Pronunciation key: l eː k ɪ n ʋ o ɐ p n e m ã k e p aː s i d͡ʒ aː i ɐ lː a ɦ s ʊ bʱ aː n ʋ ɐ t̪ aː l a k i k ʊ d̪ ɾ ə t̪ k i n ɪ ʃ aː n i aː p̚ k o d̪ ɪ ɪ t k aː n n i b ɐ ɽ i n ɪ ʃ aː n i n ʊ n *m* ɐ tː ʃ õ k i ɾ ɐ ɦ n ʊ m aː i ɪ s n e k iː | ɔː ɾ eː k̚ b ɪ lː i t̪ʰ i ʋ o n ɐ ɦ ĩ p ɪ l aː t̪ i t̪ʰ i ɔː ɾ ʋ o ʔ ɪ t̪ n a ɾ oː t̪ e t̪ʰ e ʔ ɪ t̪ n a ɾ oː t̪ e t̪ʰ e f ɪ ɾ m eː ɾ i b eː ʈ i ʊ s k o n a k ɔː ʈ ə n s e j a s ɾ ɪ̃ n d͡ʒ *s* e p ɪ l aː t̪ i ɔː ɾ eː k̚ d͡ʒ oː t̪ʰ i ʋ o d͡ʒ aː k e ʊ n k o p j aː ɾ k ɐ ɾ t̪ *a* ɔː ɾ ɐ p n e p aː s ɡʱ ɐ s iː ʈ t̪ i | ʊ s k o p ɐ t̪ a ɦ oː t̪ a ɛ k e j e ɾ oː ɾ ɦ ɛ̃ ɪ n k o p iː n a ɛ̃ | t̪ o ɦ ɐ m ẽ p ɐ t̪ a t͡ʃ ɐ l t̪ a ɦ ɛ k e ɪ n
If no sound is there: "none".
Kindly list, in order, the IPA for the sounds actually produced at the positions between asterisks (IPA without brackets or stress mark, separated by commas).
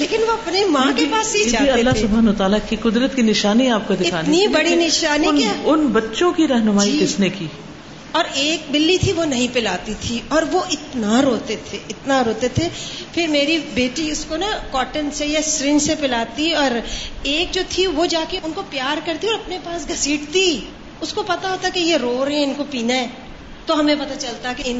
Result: b, s, i